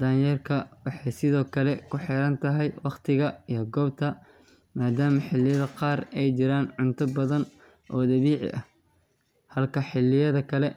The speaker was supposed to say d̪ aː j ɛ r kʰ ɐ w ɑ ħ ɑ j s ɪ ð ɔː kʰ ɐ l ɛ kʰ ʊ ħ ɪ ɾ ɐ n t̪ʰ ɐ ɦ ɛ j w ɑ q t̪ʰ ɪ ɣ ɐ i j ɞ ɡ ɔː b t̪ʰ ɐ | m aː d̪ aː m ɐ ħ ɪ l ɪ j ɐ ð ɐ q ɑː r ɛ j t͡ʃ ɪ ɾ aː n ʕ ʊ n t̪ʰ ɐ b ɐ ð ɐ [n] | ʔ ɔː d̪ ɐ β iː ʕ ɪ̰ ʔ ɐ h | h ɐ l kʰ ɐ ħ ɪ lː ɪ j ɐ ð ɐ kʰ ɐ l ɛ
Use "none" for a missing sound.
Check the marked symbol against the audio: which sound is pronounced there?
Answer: n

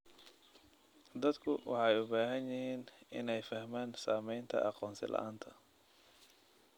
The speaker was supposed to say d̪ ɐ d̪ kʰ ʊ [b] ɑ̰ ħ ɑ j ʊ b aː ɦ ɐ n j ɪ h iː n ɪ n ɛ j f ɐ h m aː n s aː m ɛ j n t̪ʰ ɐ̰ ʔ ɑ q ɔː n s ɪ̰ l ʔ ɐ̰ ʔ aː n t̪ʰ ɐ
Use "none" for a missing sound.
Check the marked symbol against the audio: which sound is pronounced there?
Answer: w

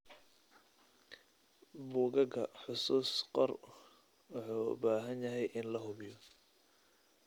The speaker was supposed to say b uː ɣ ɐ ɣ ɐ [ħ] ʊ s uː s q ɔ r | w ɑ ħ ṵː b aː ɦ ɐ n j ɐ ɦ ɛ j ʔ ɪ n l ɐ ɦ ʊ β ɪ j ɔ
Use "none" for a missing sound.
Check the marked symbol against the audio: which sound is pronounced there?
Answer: ħ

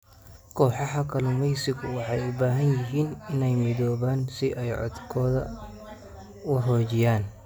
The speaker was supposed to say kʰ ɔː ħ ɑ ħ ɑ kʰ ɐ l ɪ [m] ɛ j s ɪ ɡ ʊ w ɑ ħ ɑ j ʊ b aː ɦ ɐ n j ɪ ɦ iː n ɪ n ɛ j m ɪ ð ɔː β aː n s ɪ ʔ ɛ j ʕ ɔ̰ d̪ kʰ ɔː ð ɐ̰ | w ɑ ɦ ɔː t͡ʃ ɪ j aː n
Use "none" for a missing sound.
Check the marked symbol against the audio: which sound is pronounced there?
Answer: m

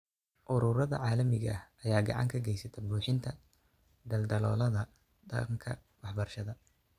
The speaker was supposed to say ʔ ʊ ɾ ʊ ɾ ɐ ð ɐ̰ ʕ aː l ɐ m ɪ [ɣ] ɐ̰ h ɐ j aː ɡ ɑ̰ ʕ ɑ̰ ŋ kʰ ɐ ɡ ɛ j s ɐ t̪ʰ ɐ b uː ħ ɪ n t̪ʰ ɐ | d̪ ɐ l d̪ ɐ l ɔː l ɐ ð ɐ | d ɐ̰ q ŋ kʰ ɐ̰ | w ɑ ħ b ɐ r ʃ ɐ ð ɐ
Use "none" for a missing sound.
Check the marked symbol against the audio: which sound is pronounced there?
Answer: ɣ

